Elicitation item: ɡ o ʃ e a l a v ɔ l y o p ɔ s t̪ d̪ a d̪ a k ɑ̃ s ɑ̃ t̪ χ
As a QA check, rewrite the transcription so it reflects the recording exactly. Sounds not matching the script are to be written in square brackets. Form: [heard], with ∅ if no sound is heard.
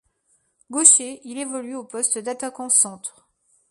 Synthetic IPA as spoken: ɡ o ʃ e [i] l [e] v ɔ l y o p ɔ s t̪ d̪ a [t̪] a k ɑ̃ s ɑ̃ t̪ χ